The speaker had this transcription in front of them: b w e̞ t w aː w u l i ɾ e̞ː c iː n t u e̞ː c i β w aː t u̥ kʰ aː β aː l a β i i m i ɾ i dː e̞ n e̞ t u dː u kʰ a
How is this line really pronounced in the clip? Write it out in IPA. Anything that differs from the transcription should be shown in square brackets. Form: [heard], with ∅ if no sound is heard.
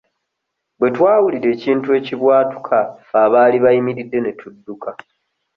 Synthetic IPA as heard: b w e̞ t w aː w u l i ɾ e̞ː c iː n t u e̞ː c i β w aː t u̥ kʰ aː β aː l [i] β [a] i m i ɾ i dː e̞ n e̞ t u dː u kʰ a